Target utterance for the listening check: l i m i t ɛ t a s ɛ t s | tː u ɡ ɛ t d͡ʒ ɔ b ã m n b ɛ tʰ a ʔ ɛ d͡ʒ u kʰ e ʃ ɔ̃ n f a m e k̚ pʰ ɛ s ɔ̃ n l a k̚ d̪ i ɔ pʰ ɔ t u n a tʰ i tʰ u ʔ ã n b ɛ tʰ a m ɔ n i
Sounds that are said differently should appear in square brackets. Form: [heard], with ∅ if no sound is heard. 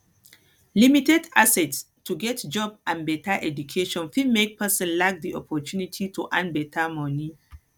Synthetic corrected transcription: l i m i t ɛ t a s ɛ t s | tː u ɡ ɛ t d͡ʒ ɔ b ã [∅] n b ɛ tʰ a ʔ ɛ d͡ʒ u kʰ e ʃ ɔ̃ n f [i] m e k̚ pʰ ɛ s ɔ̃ n l a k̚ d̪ i ɔ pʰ ɔ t u n [i] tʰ i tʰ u ʔ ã n b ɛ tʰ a m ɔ n i